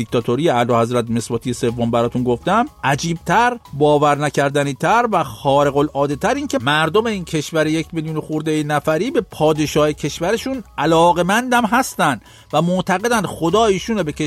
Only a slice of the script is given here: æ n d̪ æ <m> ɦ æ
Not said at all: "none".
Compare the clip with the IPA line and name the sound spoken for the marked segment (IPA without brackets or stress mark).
m